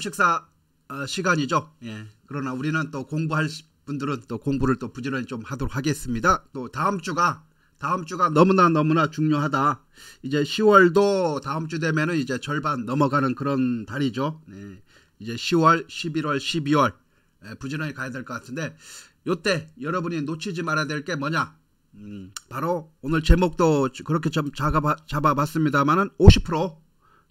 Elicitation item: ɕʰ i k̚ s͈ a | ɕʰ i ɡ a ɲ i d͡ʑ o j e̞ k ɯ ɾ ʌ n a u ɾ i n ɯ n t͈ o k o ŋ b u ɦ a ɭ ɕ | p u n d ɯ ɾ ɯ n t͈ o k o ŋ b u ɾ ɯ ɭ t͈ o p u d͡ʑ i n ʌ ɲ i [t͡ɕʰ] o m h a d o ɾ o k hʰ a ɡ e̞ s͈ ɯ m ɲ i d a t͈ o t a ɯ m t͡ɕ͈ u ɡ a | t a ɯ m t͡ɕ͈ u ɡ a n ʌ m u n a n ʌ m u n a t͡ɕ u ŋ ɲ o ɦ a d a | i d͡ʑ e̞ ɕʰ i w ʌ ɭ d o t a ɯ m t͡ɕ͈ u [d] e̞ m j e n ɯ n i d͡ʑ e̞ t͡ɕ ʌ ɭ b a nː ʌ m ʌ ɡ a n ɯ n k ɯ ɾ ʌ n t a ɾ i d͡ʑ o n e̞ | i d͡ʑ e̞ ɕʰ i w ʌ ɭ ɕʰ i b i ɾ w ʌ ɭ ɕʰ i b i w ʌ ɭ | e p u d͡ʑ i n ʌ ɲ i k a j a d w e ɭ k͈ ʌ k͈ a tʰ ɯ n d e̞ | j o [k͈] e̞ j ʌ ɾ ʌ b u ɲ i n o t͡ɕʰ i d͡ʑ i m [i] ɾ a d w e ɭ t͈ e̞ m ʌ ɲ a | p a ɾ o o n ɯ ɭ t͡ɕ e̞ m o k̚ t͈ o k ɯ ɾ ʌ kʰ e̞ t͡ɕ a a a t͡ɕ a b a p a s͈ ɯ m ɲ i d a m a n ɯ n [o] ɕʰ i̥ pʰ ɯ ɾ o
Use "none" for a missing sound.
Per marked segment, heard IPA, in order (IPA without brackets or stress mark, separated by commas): t͡ɕ, d, t͈, a, o